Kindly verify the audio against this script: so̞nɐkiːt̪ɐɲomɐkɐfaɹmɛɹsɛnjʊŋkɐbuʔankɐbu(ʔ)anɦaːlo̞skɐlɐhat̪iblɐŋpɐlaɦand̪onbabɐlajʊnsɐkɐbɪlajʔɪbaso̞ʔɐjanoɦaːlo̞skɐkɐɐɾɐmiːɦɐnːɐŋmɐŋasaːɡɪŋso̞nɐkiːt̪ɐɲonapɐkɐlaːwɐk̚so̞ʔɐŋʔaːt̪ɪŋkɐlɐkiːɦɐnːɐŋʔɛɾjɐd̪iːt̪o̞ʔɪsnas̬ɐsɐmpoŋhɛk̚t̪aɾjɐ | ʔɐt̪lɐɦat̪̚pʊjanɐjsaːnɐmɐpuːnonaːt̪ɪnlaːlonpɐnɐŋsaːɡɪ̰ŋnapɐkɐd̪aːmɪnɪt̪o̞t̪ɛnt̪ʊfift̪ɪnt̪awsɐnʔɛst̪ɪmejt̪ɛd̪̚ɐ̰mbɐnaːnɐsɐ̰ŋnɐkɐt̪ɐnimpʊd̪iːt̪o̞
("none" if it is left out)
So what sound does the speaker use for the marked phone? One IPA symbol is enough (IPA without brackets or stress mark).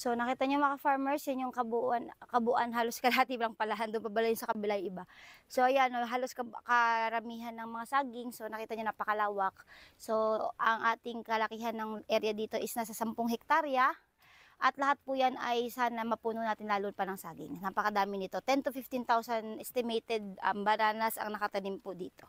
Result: ʔ